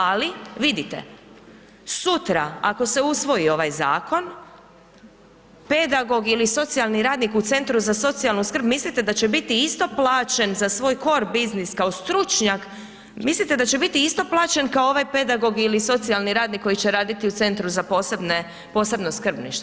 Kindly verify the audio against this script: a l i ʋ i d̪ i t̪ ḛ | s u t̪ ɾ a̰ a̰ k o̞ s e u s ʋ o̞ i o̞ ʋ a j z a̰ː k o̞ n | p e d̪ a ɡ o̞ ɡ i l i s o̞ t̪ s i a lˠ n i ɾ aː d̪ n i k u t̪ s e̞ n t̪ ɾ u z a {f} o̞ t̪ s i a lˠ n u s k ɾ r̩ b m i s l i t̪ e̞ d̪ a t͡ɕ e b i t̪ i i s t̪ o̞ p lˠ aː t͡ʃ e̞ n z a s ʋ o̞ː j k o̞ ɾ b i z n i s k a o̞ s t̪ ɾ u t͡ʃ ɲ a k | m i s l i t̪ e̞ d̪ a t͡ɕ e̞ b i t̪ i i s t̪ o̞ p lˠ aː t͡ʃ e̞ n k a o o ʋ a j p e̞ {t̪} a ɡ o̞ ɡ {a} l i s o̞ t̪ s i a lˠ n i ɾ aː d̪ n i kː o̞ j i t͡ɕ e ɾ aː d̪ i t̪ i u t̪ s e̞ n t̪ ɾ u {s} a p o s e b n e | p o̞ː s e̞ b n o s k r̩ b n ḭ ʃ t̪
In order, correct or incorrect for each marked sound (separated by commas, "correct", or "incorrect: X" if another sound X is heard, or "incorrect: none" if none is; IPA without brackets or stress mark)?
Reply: incorrect: s, incorrect: d̪, incorrect: i, incorrect: z